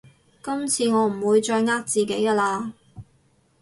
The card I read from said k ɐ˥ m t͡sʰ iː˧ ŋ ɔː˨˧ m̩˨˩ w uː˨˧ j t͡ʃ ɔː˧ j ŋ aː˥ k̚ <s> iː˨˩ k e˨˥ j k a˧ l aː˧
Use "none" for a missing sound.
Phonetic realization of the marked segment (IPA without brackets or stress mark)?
t͡s